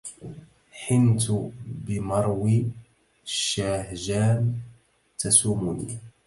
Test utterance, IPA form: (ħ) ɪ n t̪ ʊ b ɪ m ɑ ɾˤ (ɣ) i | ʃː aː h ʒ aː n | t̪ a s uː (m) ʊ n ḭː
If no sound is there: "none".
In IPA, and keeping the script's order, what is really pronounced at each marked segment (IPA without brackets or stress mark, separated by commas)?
ħ, w, m